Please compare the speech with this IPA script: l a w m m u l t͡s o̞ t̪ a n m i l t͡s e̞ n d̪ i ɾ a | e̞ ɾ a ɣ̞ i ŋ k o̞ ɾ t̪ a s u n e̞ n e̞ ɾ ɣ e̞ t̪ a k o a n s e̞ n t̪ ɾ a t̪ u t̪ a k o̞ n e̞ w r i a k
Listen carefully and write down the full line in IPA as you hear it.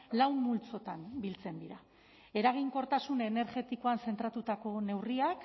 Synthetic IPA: l a w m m u l t͡s o̞ t̪ a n b i l t͡s e̞ n d̪ i ɾ a | e̞ ɾ a ɣ̞ i ŋ k o̞ ɾ t̪ a s u n e̞ n e̞ ɾ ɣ e̞ t̪ i k o a n s e̞ n t̪ ɾ a t̪ u t̪ a k o̞ n e̞ w r i a k